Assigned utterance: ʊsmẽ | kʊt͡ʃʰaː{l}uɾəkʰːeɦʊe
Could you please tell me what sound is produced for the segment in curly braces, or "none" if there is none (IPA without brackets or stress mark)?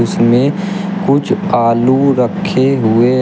l